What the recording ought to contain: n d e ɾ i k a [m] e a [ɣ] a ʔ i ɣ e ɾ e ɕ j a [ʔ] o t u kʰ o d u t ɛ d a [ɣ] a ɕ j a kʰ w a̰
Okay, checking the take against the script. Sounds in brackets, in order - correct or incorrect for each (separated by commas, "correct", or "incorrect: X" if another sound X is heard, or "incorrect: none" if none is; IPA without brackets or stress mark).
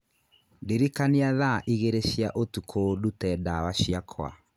incorrect: n, incorrect: ð, correct, incorrect: w